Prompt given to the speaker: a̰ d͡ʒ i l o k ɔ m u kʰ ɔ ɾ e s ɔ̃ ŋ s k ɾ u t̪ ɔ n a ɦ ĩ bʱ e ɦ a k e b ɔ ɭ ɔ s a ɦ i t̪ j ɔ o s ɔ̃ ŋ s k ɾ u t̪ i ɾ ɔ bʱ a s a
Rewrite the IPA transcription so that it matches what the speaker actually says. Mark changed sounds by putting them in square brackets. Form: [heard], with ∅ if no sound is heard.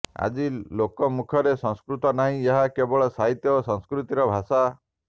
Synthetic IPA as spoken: a̰ d͡ʒ i l o k ɔ m u kʰ ɔ ɾ e s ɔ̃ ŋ s k ɾ u t̪ ɔ n a ɦ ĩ [∅] e ɦ a k e b ɔ ɭ ɔ s a ɦ i t̪ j ɔ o s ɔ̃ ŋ s k ɾ u t̪ i ɾ ɔ bʱ a s a